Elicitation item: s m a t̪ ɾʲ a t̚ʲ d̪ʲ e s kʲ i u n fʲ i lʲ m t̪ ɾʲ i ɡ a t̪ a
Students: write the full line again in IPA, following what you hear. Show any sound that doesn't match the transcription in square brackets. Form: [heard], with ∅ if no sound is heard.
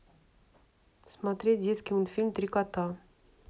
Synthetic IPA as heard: s m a t̪ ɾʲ [e] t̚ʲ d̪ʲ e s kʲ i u n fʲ i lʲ m t̪ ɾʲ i [k] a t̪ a